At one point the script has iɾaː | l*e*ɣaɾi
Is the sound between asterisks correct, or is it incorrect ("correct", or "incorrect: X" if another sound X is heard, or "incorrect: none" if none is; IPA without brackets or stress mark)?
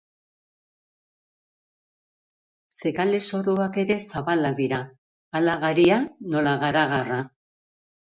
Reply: incorrect: a